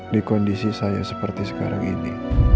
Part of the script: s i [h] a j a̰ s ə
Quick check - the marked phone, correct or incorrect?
incorrect